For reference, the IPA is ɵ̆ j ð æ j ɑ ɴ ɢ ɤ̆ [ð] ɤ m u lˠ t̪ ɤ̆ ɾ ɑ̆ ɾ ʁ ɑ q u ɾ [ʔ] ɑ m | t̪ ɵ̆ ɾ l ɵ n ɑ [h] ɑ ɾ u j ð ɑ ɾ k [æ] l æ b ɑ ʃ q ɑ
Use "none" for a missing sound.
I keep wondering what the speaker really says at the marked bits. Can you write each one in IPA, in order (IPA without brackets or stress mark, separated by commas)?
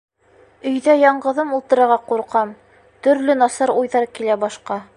ð, q, s, i